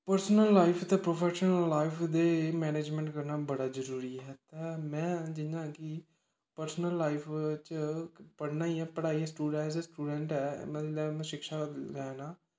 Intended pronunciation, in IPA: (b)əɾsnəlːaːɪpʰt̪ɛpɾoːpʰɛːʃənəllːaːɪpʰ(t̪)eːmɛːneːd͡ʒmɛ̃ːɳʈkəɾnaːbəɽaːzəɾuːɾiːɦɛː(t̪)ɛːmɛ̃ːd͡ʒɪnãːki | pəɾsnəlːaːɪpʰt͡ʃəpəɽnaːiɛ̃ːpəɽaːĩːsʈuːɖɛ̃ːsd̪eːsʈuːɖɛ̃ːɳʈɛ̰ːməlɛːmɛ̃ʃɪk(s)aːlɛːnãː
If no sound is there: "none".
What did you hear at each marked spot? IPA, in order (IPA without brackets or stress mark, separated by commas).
p, d̪, t̪, ʃ